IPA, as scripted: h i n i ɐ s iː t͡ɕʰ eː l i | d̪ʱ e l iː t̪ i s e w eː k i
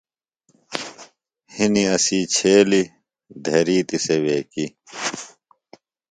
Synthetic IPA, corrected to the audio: h i n i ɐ s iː t͡ɕʰ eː l i | d̪ʱ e ɾ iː t̪ i s e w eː k i